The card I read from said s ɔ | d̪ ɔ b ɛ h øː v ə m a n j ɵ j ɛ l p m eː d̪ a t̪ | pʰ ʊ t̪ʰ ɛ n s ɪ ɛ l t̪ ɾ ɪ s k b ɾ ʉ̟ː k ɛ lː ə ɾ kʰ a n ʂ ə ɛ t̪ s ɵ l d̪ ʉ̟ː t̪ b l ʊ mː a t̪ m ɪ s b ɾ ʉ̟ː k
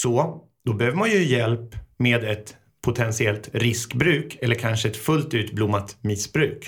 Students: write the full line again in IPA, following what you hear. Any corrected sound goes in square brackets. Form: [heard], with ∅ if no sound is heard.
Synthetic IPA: s ɔ | d̪ ɔ b ɛ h øː v ə m a n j ɵ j ɛ l p m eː d̪ [ɛ] t̪ | pʰ ʊ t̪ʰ ɛ n s ɪ ɛ l t̪ ɾ ɪ s k b ɾ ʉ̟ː k ɛ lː ə ɾ kʰ a n ʂ ə ɛ t̪ [f] ɵ l [t̪] ʉ̟ː t̪ b l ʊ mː a t̪ m ɪ s b ɾ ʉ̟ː k